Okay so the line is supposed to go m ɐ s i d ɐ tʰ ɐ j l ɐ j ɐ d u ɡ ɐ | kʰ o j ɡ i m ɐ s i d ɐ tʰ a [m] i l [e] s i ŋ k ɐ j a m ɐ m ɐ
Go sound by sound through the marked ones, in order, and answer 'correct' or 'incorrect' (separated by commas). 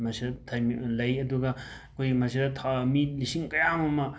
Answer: correct, incorrect